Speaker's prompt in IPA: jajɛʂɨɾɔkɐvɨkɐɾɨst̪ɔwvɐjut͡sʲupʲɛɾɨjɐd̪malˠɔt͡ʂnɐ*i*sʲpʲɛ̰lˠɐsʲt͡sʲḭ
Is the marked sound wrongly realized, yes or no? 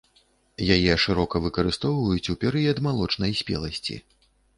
yes